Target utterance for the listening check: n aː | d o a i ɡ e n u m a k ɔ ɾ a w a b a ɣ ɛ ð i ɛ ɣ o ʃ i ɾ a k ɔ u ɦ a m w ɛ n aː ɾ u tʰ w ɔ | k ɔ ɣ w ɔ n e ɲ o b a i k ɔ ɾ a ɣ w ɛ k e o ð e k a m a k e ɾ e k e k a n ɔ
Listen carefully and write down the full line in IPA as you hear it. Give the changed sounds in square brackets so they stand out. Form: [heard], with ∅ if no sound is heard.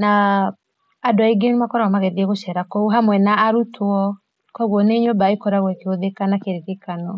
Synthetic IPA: n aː | d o a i ɡ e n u m a k ɔ ɾ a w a [m] a ɣ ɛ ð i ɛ ɣ o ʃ [ɛ] ɾ a k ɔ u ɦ a m w ɛ n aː ɾ u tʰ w ɔ | k ɔ ɣ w ɔ n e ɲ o b a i k ɔ ɾ a ɣ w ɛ k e o ð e k a [n] a k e ɾ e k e k a n ɔ